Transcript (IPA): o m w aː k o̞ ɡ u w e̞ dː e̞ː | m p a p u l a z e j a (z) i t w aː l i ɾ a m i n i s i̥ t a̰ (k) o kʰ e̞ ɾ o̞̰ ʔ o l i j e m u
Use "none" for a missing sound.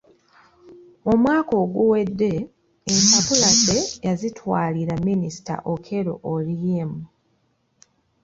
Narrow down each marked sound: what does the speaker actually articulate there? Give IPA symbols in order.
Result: z, ʔ

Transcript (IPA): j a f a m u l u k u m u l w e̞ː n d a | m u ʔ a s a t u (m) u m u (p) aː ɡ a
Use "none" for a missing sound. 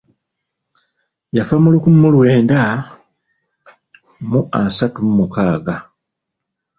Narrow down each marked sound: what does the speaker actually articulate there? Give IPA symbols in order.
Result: m, k

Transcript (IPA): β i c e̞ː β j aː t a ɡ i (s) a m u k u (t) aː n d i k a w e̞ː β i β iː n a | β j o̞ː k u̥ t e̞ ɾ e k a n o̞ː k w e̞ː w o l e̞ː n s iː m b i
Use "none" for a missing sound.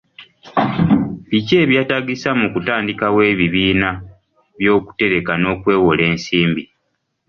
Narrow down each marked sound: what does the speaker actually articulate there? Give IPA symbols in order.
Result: s, t

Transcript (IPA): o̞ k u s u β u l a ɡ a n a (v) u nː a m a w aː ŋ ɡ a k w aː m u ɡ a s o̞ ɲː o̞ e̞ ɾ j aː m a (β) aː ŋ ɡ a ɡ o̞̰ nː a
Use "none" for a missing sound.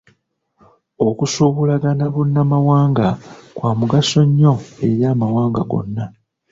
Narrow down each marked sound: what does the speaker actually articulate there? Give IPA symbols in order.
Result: β, w

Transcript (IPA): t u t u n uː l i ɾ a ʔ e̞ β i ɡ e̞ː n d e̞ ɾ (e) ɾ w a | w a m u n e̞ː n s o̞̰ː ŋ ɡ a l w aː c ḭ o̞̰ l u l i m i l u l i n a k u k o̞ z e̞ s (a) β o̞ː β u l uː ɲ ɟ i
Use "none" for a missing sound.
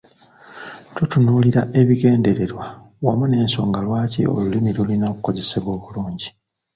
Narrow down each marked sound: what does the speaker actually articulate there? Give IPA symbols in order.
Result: e, e

